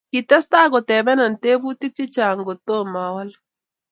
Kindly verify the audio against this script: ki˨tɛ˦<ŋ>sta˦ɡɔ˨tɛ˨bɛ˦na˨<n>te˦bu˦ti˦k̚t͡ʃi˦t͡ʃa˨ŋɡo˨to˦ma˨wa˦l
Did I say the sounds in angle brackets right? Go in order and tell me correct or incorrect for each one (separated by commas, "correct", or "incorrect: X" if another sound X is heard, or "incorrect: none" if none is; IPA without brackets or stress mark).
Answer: incorrect: none, correct